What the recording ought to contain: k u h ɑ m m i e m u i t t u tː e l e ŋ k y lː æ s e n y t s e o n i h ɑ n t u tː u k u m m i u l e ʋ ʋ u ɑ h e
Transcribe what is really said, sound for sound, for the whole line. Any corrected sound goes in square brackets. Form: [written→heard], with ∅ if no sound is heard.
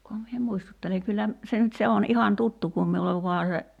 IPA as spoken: k u h ɑ m m i e m u i [t→s] t u tː e l e ŋ k y lː æ s e n y t s e o n i h ɑ n t u tː u k u m m i u l e ʋ ʋ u ɑ [h→s] e